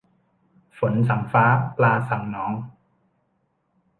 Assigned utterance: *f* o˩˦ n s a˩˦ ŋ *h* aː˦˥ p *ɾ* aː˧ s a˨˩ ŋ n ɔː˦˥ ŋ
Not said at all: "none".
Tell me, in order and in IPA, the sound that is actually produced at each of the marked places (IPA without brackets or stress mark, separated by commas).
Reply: f, f, l